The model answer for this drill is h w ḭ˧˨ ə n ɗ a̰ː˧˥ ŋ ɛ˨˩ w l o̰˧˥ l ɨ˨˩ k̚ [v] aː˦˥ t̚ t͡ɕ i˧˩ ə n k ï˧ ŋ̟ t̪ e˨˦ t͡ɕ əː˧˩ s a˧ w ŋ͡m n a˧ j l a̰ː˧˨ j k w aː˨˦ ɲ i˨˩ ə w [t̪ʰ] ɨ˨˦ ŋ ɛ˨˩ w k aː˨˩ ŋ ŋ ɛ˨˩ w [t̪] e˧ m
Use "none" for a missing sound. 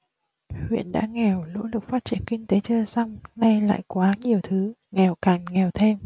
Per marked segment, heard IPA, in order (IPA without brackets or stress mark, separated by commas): f, t̪ʰ, t̪ʰ